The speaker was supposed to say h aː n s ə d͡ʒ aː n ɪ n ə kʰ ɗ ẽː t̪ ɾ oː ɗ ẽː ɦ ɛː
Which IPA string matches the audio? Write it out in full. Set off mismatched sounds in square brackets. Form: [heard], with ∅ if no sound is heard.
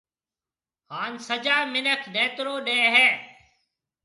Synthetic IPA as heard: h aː n s ə d͡ʒ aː [m] ɪ n ə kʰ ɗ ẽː t̪ ɾ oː ɗ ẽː ɦ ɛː